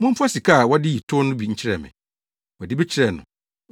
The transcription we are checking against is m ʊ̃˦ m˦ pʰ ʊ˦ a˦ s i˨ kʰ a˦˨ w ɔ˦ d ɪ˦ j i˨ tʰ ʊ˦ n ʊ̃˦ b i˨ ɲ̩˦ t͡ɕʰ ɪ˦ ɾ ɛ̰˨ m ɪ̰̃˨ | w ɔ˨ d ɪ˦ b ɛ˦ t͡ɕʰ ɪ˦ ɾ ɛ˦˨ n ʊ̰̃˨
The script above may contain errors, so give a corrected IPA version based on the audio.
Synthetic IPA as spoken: m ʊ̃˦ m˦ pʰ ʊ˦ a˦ s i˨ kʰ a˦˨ w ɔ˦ d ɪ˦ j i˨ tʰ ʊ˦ n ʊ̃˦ b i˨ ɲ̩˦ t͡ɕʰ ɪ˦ ɾ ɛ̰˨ m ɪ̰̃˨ | w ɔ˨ d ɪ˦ b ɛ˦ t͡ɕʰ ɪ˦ ɾ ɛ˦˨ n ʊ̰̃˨